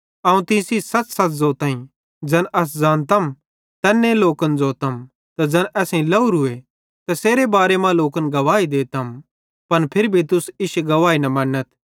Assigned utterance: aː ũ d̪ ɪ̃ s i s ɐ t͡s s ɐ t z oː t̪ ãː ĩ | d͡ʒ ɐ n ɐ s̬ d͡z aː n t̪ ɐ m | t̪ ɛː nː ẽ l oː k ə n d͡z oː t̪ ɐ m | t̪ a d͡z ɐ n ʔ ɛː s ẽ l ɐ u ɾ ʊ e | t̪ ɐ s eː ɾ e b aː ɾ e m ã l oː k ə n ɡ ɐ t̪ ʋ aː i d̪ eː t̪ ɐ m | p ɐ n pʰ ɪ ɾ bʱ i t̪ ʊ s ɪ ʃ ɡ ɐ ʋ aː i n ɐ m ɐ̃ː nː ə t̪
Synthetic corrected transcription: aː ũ t̪ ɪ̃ s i s ɐ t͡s s ɐ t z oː t̪ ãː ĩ | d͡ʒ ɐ n ɐ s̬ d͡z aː n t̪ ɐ m | t̪ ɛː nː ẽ l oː k ə n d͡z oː t̪ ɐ m | t̪ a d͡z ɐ n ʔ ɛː s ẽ l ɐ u ɾ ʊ e | t̪ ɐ s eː ɾ e b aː ɾ e m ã l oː k ə n ɡ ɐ ʋ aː i d̪ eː t̪ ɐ m | p ɐ n pʰ ɪ ɾ bʱ i t̪ ʊ s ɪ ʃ ɡ ɐ ʋ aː i n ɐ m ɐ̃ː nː ə t̪